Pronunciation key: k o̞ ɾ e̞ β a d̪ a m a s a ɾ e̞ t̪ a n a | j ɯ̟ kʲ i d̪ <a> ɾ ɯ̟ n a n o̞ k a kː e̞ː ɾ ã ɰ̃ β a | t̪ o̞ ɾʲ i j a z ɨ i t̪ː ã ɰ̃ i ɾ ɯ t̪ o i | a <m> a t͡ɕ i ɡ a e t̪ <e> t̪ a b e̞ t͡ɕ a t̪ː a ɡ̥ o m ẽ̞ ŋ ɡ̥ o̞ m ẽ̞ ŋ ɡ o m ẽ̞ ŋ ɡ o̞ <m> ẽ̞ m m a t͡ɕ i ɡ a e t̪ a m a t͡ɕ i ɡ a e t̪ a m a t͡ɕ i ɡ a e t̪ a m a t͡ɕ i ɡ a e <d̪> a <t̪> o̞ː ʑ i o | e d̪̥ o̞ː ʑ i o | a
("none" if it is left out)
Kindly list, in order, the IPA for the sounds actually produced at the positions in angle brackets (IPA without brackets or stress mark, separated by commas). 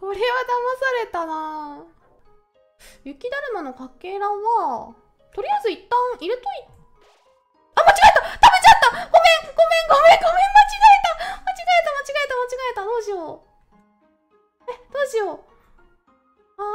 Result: a, m, a, m, t̪, d̪